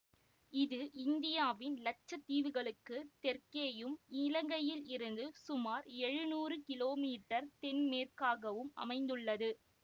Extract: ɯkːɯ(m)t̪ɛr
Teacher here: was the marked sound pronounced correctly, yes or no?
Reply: no